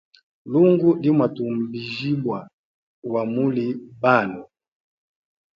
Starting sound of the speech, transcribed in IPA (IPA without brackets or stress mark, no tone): l